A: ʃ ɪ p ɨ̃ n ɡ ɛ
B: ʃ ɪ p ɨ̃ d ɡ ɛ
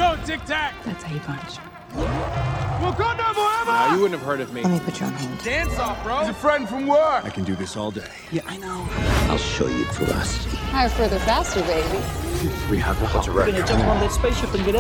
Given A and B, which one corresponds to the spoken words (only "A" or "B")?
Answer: A